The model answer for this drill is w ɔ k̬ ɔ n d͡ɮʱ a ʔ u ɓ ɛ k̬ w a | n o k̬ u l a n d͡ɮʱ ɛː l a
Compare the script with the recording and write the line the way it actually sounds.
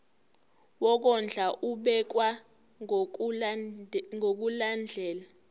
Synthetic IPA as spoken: w ɔ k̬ ɔ n d͡ɮʱ a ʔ u ɓ ɛ k̬ w a | ŋ o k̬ u l a n d͡ɮʱ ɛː l a